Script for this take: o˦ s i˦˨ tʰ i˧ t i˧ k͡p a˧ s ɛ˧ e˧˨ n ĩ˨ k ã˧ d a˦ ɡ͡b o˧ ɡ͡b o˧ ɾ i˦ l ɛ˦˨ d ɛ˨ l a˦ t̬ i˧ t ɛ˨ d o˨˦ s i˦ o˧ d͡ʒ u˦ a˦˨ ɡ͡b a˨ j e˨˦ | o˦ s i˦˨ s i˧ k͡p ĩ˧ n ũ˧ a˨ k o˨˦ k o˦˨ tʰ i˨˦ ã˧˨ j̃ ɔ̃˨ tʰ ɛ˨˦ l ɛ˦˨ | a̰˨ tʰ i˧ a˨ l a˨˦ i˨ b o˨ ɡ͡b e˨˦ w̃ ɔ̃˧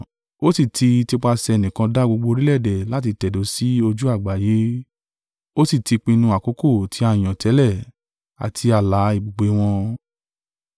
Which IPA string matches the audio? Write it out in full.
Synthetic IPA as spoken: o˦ s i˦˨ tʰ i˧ t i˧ k͡p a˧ s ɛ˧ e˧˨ n ĩ˨ k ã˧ d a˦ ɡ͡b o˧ ɡ͡b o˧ ɾ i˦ l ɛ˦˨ d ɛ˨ l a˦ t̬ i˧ t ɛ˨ d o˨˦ s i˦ o˧ d͡ʒ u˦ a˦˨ ɡ͡b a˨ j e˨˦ | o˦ s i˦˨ t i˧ k͡p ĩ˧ n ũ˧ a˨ k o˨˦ k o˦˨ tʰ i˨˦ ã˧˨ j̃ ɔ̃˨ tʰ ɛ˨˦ l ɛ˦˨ | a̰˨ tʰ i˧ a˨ l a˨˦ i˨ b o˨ ɡ͡b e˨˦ w̃ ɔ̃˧

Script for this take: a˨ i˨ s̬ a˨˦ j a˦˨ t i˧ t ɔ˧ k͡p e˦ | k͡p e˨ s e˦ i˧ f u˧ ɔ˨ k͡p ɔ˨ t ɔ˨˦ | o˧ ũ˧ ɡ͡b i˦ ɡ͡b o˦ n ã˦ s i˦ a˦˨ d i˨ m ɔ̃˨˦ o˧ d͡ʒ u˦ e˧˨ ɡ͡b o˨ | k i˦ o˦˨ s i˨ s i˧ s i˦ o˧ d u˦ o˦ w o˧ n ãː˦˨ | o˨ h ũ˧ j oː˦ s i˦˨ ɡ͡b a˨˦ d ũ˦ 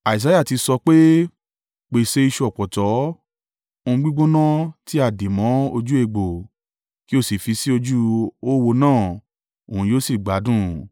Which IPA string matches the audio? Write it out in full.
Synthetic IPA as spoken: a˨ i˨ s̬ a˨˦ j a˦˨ t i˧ s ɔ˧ k͡p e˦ | k͡p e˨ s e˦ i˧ ʃ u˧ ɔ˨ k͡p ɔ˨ t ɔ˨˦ | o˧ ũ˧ ɡ͡b i˦ ɡ͡b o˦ n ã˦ t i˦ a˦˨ d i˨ m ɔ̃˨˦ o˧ d͡ʒ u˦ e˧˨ ɡ͡b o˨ | k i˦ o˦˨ s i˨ f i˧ s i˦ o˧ d͡ʒ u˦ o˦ w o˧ n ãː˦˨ | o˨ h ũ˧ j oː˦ s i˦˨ ɡ͡b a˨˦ d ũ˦

